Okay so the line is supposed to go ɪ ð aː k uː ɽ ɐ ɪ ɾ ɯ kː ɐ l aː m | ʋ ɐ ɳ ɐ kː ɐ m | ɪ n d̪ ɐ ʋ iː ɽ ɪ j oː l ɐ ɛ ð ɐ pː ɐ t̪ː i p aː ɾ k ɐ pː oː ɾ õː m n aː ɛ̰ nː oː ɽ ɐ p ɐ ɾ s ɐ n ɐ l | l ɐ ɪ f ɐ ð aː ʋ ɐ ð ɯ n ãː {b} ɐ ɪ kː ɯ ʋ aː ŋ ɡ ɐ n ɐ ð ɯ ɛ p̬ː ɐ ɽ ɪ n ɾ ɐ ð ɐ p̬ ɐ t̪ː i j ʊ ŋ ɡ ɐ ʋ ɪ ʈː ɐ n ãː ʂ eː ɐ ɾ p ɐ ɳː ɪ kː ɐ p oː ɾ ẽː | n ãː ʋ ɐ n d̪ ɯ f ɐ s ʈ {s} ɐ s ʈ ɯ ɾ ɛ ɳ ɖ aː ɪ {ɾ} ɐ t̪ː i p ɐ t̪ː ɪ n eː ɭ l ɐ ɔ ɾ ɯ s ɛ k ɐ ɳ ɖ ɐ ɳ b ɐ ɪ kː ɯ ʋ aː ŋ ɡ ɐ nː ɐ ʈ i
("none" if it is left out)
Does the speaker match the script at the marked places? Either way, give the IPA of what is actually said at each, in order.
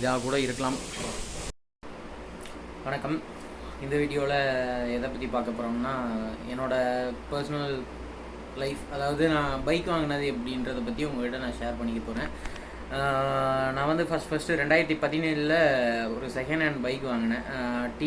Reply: b, f, ɾ

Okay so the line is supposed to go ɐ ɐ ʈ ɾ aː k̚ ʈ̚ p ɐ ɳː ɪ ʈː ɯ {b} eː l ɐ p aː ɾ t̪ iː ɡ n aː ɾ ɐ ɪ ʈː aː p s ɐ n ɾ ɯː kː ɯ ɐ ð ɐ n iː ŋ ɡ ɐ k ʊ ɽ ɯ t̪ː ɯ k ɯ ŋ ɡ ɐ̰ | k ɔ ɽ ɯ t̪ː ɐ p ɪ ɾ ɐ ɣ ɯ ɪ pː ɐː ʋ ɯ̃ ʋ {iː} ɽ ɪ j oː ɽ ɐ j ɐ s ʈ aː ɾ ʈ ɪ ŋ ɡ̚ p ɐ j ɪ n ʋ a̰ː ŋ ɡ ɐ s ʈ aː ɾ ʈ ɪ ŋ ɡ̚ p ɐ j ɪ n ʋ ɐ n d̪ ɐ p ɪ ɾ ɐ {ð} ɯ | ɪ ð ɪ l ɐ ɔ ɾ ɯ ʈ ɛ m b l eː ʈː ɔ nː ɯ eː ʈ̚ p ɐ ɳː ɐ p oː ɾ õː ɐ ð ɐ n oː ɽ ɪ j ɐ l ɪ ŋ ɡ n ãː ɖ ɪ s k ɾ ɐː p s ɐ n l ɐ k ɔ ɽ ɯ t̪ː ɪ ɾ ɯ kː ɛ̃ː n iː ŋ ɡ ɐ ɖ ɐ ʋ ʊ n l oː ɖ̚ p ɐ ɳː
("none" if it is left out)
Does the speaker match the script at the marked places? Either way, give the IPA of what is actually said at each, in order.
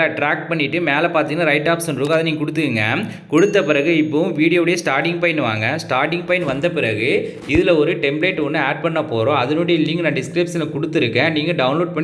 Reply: m, iː, ɣ

